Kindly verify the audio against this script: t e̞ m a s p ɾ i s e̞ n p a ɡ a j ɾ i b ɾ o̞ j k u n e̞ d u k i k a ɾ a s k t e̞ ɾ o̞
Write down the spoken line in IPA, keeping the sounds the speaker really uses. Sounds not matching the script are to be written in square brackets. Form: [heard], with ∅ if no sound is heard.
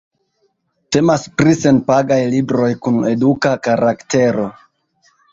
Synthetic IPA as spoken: t e̞ m a s p ɾ i s e̞ n p a ɡ a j [l] i b ɾ o̞ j k u n e̞ d u k [a] k a ɾ a [∅] k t e̞ ɾ o̞